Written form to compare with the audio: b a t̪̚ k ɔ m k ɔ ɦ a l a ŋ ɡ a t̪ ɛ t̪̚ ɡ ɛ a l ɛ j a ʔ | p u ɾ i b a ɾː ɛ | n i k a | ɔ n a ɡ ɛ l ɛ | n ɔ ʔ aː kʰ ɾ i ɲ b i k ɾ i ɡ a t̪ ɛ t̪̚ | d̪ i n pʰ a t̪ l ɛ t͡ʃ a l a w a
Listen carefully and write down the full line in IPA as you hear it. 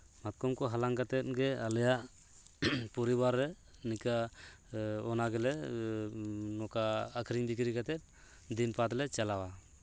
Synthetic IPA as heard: m a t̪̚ k ɔ m k ɔ ɦ a l a ŋ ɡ a t̪ ɛ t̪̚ ɡ ɛ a l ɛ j a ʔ | p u ɾ i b a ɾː ɛ | n i k a | ɔ n a ɡ ɛ l ɛ | n ɔ k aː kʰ ɾ i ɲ b i k ɾ i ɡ a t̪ ɛ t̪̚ | d̪ i n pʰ a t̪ l ɛ t͡ʃ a l a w a